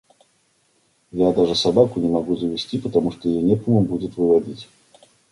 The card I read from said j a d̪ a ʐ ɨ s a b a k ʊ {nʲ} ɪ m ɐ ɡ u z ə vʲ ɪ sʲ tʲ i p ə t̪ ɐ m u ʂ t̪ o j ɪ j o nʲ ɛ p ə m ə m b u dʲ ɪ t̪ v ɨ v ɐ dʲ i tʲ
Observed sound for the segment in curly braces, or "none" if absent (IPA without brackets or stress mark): nʲ